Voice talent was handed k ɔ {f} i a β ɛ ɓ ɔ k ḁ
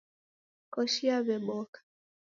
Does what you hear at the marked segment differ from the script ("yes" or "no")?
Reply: yes